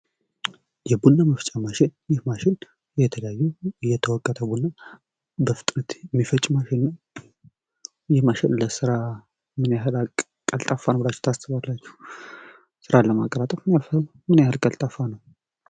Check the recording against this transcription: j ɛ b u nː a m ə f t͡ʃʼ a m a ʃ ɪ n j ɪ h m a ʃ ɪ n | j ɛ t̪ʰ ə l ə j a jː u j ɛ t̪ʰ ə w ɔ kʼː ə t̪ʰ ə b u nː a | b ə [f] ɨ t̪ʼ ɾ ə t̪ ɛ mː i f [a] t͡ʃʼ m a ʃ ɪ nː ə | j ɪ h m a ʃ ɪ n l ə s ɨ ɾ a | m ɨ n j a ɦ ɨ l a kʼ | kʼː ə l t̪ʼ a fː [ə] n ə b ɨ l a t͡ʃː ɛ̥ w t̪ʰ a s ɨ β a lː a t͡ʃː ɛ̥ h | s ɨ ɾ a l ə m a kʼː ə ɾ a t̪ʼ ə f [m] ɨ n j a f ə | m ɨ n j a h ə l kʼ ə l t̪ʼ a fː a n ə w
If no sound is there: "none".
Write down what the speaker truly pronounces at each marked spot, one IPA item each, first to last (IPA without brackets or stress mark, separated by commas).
f, ə, a, m